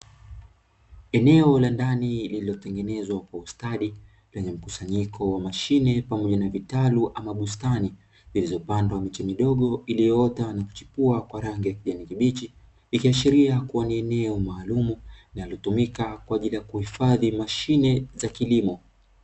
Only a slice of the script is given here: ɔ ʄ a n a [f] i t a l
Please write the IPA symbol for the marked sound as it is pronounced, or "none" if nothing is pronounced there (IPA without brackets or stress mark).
v